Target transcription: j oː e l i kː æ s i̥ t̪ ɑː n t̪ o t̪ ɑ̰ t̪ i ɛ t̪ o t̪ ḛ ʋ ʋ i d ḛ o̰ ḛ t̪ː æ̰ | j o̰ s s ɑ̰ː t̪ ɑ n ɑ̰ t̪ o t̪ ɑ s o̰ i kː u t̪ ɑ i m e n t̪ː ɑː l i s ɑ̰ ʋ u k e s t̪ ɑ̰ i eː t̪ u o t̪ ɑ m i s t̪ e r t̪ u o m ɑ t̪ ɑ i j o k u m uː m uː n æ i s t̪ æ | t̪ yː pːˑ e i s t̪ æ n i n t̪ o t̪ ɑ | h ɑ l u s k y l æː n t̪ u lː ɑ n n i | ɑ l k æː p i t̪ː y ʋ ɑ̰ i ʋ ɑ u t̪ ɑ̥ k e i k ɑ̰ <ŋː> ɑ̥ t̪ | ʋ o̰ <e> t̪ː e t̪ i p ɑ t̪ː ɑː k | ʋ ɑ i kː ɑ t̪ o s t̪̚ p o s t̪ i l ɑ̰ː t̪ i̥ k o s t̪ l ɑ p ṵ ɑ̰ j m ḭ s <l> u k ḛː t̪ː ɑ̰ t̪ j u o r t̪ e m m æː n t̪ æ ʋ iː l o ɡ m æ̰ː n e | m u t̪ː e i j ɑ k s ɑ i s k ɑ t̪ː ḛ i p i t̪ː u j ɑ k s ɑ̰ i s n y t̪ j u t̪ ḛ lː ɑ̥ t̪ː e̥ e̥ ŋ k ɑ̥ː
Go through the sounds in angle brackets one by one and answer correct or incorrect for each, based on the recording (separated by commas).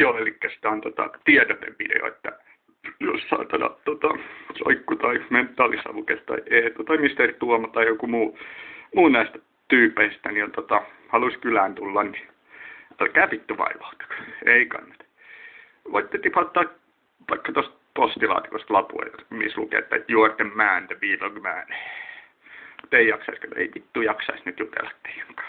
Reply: incorrect, incorrect, correct